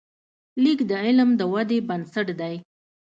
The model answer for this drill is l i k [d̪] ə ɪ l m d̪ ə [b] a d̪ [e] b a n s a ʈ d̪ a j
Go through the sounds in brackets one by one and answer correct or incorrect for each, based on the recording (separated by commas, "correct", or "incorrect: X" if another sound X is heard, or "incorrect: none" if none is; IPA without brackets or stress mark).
correct, incorrect: w, correct